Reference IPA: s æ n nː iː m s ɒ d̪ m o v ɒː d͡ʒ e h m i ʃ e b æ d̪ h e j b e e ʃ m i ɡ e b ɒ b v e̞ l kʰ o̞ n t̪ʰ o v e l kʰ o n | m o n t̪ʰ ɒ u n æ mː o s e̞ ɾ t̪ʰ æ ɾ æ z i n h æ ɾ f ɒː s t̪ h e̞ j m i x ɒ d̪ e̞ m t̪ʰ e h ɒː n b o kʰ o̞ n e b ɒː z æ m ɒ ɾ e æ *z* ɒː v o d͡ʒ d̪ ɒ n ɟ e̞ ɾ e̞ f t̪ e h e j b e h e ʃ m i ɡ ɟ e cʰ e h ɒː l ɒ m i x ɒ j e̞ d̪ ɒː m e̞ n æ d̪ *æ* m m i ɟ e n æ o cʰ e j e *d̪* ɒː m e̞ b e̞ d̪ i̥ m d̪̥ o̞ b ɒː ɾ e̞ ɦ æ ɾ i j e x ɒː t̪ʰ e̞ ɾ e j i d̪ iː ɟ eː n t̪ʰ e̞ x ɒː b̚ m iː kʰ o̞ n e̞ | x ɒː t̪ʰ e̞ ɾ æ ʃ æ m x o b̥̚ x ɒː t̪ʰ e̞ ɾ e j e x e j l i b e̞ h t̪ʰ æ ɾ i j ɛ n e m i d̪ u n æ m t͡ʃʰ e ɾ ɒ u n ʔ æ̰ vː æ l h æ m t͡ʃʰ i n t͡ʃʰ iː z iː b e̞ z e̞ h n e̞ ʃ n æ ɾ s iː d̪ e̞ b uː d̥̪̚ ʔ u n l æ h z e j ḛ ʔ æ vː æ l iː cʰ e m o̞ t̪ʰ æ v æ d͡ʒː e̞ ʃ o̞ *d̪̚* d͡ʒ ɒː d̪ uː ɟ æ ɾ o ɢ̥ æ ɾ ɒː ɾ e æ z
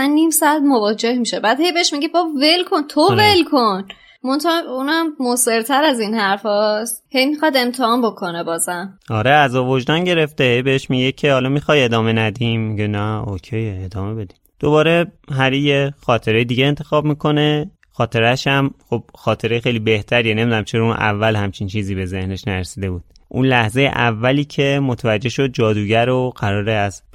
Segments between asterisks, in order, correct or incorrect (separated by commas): correct, incorrect, correct, correct